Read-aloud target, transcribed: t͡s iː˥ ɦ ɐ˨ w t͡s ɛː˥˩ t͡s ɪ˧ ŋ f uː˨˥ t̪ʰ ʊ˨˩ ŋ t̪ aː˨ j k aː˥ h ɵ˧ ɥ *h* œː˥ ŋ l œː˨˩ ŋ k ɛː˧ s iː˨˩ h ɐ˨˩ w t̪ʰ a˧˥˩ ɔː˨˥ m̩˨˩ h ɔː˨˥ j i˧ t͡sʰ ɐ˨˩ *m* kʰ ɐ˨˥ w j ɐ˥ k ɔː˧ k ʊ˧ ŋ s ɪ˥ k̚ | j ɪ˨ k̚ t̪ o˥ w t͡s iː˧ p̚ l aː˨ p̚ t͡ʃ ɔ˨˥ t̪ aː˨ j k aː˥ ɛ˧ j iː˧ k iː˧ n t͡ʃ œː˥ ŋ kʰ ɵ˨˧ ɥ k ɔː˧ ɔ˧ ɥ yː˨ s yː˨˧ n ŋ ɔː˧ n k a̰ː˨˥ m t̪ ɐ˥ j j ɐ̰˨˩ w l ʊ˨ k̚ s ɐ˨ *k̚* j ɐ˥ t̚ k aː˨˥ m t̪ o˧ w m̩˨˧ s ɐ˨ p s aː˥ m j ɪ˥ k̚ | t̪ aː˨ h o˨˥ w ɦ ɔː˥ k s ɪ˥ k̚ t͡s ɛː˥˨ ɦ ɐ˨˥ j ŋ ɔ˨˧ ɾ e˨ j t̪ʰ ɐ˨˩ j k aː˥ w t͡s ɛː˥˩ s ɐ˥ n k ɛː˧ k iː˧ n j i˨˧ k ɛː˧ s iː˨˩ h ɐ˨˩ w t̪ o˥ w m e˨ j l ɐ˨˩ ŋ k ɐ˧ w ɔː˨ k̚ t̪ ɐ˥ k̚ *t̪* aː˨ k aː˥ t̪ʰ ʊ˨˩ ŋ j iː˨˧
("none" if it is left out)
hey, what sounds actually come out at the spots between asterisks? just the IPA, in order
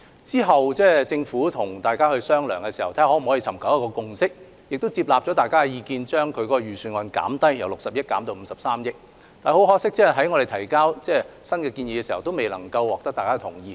s, m, p̚, t̪

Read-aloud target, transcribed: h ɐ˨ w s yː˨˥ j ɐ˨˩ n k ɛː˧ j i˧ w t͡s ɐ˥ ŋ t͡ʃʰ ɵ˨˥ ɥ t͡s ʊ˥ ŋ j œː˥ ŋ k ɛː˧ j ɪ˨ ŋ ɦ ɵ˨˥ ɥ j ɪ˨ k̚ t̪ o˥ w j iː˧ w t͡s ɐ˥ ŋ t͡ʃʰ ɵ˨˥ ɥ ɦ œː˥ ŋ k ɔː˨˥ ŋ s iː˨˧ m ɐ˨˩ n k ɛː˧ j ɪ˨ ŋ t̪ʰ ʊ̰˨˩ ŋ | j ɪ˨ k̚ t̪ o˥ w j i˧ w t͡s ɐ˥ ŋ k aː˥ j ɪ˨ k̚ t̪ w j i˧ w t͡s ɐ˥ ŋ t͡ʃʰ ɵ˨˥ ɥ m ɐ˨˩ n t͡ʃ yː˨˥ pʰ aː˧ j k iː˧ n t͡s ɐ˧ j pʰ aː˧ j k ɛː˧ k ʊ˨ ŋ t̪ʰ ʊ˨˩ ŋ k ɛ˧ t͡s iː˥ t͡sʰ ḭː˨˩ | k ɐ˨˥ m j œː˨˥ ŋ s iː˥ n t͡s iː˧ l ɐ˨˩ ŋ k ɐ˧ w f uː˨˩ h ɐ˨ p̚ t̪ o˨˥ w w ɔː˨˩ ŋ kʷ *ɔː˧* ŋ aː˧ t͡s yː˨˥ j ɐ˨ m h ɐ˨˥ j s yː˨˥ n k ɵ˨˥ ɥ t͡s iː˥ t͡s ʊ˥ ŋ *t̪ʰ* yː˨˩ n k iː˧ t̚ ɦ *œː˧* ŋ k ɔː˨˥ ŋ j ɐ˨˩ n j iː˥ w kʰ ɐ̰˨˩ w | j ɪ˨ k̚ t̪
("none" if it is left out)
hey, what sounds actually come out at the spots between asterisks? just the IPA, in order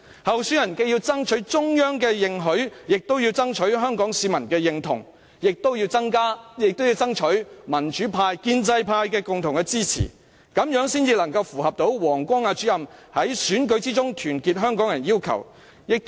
ɔː˥, t̪ʰ, œː˥

